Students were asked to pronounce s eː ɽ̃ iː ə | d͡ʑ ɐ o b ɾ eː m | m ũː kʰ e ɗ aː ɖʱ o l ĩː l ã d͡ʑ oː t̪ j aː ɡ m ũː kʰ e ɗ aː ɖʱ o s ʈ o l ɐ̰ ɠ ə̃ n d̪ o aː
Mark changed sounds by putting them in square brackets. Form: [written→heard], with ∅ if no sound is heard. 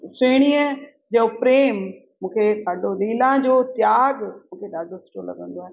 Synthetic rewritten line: s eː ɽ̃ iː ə | d͡ʑ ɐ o [b→p] ɾ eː m | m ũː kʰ e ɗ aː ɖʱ o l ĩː l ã d͡ʑ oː t̪ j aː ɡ m ũː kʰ e ɗ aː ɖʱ o s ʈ o l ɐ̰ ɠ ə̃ n d̪ o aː